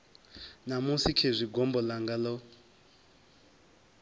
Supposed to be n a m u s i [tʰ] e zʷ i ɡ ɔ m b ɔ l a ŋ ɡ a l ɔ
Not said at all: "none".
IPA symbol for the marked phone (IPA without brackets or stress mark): kʰ